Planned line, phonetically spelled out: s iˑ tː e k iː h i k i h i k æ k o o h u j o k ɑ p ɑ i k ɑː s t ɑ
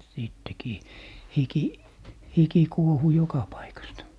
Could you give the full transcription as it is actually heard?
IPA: s iˑ tː e k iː h i k i h i k i k u o h u j o k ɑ p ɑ i k ɑ s t ɑ

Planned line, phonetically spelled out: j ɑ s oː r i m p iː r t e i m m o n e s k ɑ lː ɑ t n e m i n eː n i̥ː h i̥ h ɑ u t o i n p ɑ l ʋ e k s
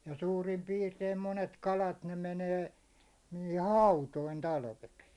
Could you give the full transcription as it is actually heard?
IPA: j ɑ s uː r i m p iː r t e i m m o n e t k ɑ l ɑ t n e m e n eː n i̥ː h i̥ h ɑ u t o i n t ɑ l ʋ e k s

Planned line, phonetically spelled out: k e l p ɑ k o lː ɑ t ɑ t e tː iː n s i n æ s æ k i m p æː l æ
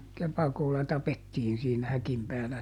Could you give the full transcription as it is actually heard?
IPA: k e p ɑ k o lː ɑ t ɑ p e tː iː n s iː n æ h æ k i m p æː l æ

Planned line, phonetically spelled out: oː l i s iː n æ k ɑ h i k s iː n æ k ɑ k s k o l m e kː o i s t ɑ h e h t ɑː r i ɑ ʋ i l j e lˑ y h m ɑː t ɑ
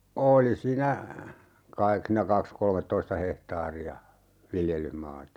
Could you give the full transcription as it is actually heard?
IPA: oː l i s iː n æ k ɑ i k s iː n æ k ɑ k s k o l m e tː o i s t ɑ h e h t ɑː r i ɑ ʋ i l j e lˑ y h m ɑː t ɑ

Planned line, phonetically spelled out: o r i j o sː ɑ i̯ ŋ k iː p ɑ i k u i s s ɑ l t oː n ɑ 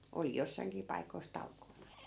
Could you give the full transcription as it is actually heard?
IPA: o l i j o sː ɑ i̯ ŋ k iː p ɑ i k o i s t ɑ l k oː n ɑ

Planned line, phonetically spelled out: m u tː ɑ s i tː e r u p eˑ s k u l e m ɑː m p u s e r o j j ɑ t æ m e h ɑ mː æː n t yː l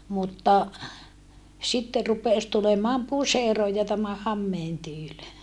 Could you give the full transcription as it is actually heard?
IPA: m u tː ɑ s i tː e r u p eˑ s t u l e m ɑː m p u s e r o j j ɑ t æ m æ h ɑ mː eː n t yː l

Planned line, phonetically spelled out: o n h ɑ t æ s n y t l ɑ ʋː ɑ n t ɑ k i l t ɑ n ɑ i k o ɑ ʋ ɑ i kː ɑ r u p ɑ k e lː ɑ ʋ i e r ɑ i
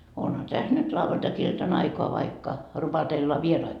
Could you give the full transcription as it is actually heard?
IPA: o n h ɑ t æ s n y t l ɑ ʋː ɑ n t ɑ k i l t ɑ n ɑ i k o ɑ ʋ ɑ i kː ɑ r u p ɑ t e lː ɑ ʋ i e r ɑ i

